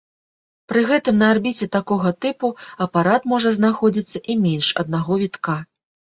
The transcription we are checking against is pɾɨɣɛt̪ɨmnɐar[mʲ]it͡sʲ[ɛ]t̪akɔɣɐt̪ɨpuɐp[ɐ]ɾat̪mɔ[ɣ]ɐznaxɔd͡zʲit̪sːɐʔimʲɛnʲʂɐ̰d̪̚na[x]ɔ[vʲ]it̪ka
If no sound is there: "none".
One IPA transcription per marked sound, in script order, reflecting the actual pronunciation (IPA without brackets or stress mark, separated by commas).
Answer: bʲ, ɛ, a, ʐ, ɣ, vʲ